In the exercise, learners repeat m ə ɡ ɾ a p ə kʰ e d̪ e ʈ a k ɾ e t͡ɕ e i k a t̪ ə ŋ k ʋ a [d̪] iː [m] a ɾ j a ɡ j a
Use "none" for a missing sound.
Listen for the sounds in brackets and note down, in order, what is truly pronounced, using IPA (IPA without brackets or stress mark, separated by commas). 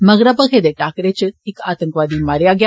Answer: d̪, m